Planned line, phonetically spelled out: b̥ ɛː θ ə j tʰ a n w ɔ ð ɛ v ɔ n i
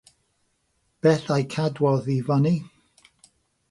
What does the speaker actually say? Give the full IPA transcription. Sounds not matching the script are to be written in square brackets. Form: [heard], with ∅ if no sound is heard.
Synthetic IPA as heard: b̥ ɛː θ [a] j [kʰ] a [d] w ɔ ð [i] v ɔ n i

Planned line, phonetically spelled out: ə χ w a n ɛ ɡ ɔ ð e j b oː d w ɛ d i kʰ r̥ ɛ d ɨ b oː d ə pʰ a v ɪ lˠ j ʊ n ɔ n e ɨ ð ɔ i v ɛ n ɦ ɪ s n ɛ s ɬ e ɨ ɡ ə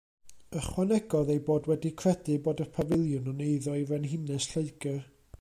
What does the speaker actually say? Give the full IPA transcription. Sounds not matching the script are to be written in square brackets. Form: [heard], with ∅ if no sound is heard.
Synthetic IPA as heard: ə χ w a n ɛ ɡ ɔ ð e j b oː d w ɛ d i kʰ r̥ ɛ d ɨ b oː d ə pʰ a v ɪ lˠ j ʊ n ɔ n e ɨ ð ɔ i v ɛ n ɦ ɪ [∅] n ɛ s ɬ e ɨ ɡ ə

